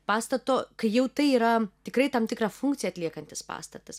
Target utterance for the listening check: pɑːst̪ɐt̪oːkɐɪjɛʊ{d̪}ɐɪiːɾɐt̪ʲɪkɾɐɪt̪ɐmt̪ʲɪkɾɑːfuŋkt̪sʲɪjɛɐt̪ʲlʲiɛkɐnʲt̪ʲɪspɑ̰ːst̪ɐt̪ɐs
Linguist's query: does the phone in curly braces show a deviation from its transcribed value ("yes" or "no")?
yes